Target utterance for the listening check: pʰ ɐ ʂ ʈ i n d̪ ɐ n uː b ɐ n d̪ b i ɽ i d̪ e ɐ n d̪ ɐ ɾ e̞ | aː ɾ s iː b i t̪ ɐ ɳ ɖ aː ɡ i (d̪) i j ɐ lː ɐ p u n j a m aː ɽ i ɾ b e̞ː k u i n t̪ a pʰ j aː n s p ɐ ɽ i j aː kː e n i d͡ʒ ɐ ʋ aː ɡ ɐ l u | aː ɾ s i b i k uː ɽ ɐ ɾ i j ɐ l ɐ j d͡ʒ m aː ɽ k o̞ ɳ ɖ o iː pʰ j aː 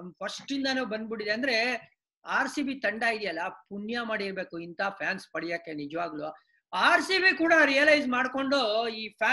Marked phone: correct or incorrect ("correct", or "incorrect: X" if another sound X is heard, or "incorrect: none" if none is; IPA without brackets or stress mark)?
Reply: correct